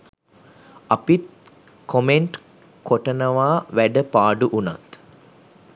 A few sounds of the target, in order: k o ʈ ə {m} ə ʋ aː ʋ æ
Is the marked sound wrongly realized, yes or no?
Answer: yes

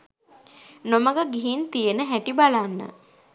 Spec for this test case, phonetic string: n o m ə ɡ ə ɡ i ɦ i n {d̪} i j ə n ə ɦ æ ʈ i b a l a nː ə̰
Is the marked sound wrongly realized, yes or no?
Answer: yes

